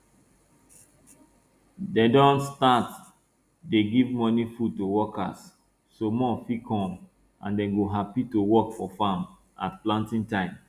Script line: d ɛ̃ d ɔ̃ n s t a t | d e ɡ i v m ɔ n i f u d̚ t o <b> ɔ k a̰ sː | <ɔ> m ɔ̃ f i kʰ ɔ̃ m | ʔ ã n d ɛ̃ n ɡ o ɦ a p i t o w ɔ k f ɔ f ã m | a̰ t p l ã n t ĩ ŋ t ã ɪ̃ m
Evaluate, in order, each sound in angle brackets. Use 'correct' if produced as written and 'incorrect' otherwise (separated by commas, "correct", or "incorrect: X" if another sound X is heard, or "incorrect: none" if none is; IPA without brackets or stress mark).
incorrect: w, incorrect: o